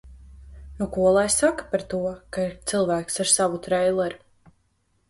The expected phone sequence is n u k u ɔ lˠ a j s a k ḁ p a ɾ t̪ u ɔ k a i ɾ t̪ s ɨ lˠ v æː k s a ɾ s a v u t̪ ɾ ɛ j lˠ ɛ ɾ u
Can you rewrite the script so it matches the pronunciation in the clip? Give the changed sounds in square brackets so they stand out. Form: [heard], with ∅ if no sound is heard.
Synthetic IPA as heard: n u k u ɔ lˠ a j s a k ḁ p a ɾ t̪ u ɔ k a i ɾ t̪ s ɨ lˠ v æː k s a ɾ s a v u t̪ ɾ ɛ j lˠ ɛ ɾ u